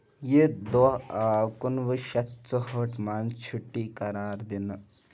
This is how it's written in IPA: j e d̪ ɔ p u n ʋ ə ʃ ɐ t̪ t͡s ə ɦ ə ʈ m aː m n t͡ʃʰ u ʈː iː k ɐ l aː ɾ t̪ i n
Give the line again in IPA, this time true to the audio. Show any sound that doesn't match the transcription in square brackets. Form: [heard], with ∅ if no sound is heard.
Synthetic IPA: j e d̪ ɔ [k] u n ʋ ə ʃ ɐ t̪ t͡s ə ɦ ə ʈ m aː [∅] n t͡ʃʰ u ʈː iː k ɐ [ɾ] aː ɾ [d̪] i n

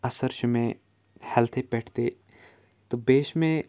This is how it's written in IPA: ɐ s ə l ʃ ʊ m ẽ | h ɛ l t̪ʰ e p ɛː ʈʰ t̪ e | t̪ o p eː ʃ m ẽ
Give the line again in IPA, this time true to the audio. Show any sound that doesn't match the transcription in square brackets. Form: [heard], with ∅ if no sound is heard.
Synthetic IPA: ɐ s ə [ɾ] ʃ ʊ m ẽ | h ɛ l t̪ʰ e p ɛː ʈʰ t̪ e | t̪ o [b] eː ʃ m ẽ

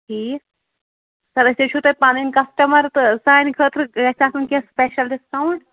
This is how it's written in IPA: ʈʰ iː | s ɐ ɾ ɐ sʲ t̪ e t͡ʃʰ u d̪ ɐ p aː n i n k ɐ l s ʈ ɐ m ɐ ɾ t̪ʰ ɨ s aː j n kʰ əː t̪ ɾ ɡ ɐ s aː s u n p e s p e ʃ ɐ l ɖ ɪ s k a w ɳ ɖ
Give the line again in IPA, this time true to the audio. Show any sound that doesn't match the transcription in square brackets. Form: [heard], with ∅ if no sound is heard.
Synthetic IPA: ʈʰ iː | s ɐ ɾ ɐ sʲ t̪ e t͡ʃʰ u [t̪] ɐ p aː n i n k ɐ [∅] s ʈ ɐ m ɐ ɾ [t̪] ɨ s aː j n kʰ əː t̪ ɾ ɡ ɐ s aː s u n [k] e s p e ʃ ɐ l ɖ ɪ s k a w ɳ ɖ

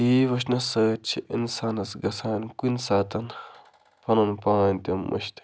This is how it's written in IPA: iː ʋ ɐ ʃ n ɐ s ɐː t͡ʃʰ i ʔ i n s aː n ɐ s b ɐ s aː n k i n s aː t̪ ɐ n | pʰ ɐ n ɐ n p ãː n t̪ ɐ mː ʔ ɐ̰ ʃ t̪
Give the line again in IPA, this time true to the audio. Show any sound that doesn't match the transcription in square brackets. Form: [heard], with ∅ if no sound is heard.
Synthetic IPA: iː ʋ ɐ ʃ n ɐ s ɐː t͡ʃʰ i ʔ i n s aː n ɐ s [ɡ] ɐ s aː n k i n s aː t̪ ɐ n | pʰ ɐ n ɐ n p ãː n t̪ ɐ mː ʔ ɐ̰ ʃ t̪

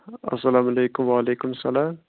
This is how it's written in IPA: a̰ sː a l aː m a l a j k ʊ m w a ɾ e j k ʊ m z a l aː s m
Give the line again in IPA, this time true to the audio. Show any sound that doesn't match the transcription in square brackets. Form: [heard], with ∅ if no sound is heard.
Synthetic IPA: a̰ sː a l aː m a l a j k ʊ m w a [l] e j k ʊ m [s] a l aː [∅] m

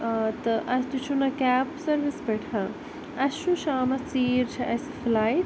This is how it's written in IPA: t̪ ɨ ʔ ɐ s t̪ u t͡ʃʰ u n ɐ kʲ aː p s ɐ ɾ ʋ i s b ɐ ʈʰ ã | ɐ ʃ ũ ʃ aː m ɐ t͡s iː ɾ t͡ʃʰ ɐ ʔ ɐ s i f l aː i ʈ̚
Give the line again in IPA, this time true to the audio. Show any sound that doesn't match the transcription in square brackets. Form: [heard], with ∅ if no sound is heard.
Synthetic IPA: t̪ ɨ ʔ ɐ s t̪ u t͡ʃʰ u n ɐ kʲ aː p s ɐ ɾ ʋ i s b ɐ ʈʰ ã | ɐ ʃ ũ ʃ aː m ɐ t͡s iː ɾ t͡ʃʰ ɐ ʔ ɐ s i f l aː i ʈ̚

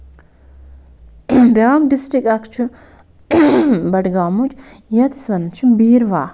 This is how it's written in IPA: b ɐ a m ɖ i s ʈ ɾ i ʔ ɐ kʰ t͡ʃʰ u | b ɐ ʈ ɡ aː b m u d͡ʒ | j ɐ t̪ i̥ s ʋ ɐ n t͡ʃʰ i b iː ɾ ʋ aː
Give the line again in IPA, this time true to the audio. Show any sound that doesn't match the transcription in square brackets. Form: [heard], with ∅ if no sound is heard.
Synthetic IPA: b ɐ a m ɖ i s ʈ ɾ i [k] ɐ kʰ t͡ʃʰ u | b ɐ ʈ ɡ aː [∅] m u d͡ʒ | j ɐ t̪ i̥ s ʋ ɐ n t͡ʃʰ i b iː ɾ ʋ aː

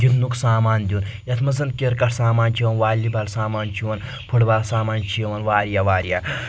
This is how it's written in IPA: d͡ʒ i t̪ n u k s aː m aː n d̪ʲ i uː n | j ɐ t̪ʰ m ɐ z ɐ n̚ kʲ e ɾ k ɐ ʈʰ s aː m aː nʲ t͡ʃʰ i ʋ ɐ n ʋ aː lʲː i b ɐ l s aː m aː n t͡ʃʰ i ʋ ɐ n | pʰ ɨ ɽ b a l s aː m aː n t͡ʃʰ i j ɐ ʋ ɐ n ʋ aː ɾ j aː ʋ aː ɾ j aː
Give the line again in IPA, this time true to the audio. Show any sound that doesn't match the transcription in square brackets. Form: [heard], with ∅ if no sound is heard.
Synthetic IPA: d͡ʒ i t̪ n u k s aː m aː n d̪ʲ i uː n | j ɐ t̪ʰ m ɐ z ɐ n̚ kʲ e ɾ k ɐ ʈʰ s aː m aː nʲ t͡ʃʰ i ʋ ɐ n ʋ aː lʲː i b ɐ l s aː m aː n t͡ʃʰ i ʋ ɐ n | pʰ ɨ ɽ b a l s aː m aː n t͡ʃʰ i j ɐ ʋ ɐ n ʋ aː ɾ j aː ʋ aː ɾ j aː

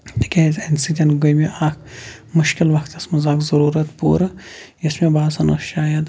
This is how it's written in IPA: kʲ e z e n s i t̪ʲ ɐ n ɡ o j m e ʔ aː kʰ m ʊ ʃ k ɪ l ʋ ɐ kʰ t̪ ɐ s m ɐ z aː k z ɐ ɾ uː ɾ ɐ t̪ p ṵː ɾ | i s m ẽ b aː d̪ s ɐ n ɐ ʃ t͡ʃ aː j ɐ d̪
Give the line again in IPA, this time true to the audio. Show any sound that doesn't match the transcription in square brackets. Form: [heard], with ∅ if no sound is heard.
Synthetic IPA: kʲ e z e n s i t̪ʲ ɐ n ɡ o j m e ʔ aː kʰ m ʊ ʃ k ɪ l ʋ ɐ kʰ t̪ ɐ s m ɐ z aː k z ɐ ɾ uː ɾ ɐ t̪ p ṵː ɾ | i s m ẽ b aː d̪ s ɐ n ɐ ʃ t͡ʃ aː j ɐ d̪

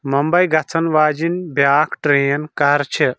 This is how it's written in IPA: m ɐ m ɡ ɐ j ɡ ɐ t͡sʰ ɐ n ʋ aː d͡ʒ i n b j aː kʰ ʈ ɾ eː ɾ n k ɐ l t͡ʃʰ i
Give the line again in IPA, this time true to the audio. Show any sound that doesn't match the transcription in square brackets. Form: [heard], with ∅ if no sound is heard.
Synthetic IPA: m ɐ m [b] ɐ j ɡ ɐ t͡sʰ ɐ n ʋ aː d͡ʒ i n b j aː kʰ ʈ ɾ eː [∅] n k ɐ [ɾ] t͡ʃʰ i

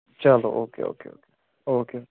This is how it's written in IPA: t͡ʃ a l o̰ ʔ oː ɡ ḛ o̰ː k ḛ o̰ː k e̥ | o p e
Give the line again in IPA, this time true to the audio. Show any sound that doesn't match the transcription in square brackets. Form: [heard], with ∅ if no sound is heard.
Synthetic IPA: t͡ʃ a l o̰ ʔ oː [k] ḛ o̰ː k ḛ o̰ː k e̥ | o [k] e

